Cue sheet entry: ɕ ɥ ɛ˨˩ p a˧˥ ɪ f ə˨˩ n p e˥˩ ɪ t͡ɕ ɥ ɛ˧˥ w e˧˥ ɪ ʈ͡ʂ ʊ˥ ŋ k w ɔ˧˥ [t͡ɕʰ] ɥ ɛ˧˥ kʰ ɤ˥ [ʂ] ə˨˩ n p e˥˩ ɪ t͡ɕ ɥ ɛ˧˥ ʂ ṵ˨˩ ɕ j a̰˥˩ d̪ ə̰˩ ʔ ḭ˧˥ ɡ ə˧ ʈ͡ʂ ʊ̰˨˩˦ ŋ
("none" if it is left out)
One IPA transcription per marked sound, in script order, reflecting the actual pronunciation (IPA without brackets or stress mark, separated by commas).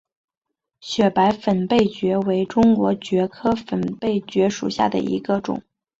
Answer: t͡ɕ, f